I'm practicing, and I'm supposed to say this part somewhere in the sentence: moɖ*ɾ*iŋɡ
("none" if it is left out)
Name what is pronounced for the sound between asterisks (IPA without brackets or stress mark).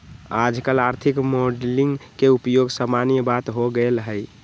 l